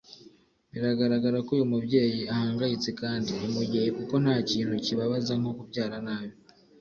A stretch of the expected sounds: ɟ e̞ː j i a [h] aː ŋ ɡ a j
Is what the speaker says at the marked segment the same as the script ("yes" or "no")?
yes